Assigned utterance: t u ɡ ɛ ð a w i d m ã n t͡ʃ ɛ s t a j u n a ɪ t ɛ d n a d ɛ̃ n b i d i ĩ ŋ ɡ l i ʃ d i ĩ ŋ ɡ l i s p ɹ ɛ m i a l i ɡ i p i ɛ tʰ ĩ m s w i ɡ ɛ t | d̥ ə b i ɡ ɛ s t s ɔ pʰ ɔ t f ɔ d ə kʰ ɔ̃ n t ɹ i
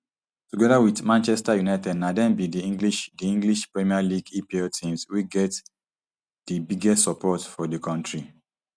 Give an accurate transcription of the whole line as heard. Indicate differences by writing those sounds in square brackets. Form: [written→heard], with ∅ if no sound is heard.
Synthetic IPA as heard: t u ɡ ɛ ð a w i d m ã n t͡ʃ ɛ s t a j u n a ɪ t ɛ d n a d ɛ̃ n b i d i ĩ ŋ ɡ l i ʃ d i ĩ ŋ ɡ l i [s→ʃ] p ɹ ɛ m i a l i ɡ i p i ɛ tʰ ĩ m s w i ɡ ɛ t | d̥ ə b i ɡ ɛ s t s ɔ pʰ ɔ t f ɔ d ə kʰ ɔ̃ n t ɹ i